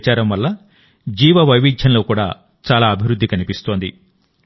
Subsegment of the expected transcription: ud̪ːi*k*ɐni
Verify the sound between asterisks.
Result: correct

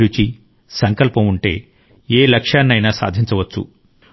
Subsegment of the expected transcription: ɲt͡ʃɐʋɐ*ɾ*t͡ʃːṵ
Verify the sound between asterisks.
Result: incorrect: none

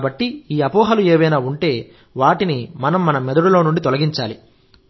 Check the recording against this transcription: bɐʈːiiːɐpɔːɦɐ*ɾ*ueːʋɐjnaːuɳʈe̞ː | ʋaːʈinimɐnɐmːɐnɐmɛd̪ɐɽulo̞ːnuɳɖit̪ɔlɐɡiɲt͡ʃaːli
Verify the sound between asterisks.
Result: incorrect: l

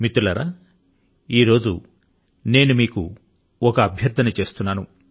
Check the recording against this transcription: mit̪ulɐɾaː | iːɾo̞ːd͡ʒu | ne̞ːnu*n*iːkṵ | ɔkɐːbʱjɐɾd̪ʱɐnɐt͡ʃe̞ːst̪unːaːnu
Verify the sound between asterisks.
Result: incorrect: m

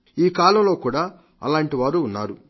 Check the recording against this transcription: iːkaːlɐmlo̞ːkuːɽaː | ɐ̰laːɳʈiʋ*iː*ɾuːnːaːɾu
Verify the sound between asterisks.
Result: incorrect: aː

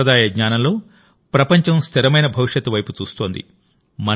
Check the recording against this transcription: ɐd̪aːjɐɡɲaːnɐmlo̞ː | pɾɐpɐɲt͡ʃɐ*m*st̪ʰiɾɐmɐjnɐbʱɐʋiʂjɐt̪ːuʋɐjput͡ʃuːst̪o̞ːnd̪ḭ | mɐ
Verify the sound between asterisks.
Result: correct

